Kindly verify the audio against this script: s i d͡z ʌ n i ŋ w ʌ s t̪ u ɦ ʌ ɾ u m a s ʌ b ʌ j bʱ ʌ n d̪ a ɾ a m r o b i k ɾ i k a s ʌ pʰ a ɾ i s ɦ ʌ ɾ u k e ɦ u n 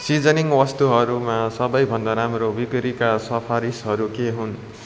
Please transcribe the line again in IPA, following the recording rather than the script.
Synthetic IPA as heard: s i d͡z ʌ n i ŋ w ʌ s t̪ u ɦ ʌ ɾ u m a s ʌ b ʌ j bʱ ʌ n d̪ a ɾ a m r o b i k ɾ i k a s ʌ pʰ a ɾ i s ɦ ʌ ɾ u k e ɦ u n

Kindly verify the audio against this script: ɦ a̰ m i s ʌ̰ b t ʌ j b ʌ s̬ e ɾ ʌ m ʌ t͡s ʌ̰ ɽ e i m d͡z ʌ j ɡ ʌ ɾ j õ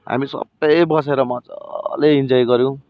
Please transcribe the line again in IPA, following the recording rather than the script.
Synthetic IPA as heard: ɦ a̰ m i s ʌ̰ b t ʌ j b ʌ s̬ e ɾ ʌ m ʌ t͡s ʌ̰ l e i n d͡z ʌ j ɡ ʌ ɾ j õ

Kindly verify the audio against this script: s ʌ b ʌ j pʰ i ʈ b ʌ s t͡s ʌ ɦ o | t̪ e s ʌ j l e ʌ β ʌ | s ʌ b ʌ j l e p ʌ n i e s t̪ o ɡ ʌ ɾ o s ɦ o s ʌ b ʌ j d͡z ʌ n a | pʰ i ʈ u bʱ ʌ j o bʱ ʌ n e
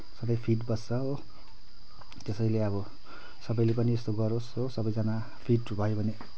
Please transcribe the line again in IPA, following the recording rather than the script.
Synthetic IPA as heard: s ʌ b ʌ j pʰ i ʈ b ʌ s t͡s ʌ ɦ o | t̪ e s ʌ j l e ʌ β ʌ | s ʌ b ʌ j l e p ʌ n i e s t̪ o ɡ ʌ ɾ o s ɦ o s ʌ b ʌ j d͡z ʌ n a | pʰ i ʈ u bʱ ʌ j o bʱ ʌ n e

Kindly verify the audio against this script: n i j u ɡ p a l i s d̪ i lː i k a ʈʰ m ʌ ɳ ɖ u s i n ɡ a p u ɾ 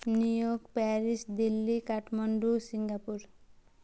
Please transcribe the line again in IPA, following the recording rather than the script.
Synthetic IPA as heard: n i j o ɡ p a ɾ i s d̪ i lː i k a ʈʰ m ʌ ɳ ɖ u s i ŋ ɡ a p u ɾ

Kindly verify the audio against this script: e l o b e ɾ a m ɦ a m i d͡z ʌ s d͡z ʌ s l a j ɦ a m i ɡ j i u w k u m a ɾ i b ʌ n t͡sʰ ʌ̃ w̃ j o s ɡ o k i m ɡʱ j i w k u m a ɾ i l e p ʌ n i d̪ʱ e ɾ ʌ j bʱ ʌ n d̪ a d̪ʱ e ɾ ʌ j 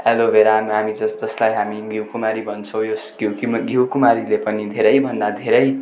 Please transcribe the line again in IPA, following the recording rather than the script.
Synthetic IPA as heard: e l o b e ɾ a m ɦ a m i d͡z ʌ s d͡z ʌ s l a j ɦ a m i ɡ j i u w k u m a ɾ i b ʌ n t͡sʰ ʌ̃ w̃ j o s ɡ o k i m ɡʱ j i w k u m a ɾ i l e p ʌ n i d̪ʱ e ɾ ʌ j bʱ ʌ n d̪ a d̪ʱ e ɾ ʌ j

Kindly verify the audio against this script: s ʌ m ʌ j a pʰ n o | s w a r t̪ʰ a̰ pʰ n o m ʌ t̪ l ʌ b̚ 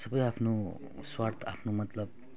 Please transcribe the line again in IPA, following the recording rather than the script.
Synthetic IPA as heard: s ʌ b ʌ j a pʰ n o | s w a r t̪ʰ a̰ pʰ n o m ʌ t̪ l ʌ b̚

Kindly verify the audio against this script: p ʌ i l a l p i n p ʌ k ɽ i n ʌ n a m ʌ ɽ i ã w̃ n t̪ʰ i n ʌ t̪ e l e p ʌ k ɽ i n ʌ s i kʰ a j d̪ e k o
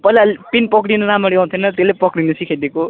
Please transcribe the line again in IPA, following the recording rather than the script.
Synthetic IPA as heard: p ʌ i l a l p i n p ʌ k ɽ i n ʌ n a m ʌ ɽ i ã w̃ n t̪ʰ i n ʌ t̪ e l e p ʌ k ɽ i n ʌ s i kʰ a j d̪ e k o

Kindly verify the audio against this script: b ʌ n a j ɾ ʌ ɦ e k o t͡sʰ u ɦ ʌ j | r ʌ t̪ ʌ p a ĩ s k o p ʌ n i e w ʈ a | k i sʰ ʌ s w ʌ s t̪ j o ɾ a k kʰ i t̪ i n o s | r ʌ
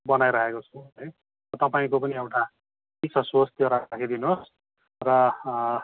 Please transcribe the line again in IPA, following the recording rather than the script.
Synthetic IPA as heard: b ʌ n a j ɾ ʌ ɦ e k o t͡sʰ u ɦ ʌ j | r ʌ t̪ ʌ p a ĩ k o p ʌ n i e w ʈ a | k i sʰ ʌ s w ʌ s t̪ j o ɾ a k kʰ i d̪ i n o s | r ʌ

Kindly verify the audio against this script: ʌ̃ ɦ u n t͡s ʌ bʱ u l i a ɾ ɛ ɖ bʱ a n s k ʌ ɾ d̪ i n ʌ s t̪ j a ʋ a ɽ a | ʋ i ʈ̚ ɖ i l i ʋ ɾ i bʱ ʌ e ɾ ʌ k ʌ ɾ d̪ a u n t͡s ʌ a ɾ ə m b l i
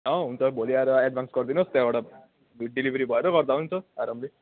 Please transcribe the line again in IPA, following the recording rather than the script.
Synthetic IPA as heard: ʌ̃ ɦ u n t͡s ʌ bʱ o l i a ɾ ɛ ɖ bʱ a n s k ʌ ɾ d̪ i n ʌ s t̪ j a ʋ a ɽ a | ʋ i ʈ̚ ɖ i l i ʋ ɾ i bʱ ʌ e ɾ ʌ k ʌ ɾ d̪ a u n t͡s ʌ a ɾ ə m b l i

